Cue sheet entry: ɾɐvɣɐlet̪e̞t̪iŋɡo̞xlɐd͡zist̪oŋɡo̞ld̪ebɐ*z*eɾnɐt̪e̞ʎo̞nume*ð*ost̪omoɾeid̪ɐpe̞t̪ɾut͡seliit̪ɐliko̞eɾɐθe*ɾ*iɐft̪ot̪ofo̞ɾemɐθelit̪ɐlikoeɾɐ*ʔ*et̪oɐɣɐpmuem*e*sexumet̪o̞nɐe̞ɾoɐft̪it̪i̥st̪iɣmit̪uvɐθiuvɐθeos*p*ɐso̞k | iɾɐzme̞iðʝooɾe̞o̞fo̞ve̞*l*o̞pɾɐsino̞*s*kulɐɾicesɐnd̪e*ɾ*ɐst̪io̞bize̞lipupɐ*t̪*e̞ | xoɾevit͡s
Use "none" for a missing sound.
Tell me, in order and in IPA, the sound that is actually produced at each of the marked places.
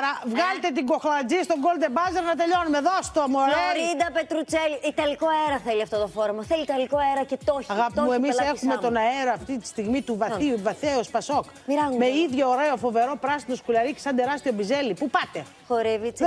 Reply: z, ð, l, c, i, p, ɾ, s, ɾ, t̪

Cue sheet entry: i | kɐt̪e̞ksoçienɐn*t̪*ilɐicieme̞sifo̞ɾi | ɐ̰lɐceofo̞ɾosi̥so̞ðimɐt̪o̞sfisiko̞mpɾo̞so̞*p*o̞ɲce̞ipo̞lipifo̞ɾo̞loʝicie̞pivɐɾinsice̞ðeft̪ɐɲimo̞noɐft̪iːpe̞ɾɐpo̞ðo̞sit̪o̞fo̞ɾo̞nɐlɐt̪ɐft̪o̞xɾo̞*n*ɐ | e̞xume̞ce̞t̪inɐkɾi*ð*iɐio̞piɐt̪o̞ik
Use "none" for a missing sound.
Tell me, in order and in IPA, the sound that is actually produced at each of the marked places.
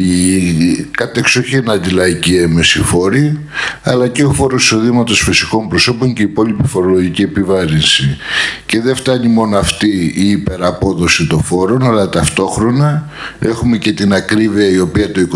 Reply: d̪, p, n, v

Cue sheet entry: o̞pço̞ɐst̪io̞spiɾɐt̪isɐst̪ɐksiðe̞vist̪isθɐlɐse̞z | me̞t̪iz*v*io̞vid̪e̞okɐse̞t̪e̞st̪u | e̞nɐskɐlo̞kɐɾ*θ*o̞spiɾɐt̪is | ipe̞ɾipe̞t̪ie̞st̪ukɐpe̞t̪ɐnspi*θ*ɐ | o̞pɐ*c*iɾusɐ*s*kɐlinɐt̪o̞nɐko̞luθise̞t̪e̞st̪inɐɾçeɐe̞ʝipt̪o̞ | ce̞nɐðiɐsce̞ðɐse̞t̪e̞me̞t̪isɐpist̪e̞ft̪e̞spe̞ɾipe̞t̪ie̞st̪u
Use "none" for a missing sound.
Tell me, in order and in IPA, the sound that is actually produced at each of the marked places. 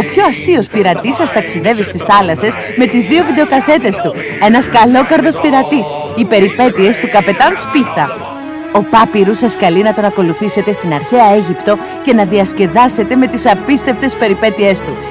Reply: ð, ð, θ, p, s

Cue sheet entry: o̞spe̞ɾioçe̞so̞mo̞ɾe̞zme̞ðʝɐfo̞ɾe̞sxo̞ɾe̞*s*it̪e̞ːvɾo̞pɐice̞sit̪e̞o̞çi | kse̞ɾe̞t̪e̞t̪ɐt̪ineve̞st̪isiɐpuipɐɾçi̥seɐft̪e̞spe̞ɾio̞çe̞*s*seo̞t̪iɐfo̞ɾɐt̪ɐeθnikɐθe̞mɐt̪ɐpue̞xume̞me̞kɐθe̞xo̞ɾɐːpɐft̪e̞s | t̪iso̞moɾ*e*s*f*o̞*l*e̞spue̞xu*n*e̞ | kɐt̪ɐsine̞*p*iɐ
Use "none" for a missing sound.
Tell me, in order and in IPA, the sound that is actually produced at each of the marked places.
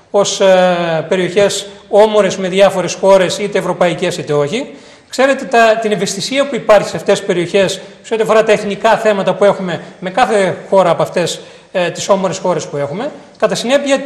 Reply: s, s, e, x, ɾ, m, p

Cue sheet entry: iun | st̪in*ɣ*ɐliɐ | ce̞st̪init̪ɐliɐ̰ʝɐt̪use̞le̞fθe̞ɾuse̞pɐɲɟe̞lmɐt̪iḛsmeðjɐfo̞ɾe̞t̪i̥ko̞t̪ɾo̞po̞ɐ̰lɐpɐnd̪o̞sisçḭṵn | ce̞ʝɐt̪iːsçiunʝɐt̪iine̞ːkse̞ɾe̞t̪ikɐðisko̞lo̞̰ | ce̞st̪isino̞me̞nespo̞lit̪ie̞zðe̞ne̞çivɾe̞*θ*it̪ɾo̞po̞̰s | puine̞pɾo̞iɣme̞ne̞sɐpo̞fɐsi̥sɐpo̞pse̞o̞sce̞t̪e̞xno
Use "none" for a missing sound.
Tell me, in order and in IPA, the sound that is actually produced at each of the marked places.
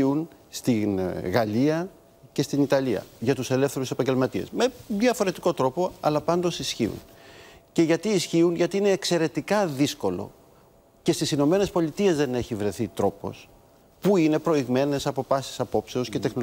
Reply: ɣ, θ

